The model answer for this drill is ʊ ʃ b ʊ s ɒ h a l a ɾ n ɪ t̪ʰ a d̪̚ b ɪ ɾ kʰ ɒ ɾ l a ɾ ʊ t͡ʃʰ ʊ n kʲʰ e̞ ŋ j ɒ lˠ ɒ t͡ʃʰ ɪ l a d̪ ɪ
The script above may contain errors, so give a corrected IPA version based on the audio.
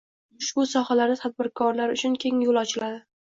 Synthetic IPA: ʊ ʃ b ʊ s ɒ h a l a ɾ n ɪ t̪ʰ a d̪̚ b ɪ ɾ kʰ ɒ ɾ l a ɾ ʊ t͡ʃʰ ʊ n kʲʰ e̞ ŋ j o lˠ ɒ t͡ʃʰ ɪ l a d̪ ɪ